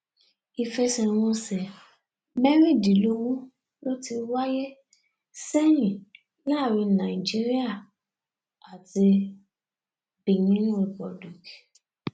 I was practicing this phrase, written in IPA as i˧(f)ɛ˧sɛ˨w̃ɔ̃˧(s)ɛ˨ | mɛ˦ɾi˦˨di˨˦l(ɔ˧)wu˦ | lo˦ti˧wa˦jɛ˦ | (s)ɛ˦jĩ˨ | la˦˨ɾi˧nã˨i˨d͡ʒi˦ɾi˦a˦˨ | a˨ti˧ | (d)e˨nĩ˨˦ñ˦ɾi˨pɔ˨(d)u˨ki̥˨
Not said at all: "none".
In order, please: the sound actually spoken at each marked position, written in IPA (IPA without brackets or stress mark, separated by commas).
f, s, o˧, s, b, d